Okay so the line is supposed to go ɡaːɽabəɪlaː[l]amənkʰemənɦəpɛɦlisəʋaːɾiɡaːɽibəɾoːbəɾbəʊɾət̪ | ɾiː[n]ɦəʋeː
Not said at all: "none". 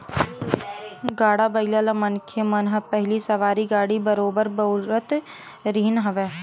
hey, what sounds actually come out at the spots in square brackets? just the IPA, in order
l, n

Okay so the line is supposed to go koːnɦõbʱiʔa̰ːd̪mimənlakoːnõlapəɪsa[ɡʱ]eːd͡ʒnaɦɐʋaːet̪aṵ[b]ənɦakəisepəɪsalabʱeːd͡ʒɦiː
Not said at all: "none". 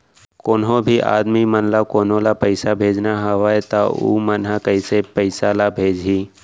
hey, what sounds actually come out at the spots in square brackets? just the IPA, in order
bʱ, m

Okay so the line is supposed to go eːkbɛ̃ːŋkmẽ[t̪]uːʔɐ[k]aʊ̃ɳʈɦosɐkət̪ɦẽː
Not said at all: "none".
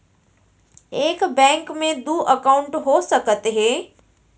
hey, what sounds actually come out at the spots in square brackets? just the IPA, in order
d̪, k

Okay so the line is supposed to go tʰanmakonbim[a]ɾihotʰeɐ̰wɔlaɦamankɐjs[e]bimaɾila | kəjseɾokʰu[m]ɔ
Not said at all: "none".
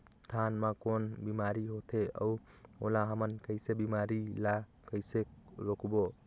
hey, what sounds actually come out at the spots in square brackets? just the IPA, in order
a, e, b

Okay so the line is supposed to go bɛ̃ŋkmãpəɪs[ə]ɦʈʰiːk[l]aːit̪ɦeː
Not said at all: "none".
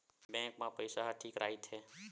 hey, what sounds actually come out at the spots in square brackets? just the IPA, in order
a, ɾ

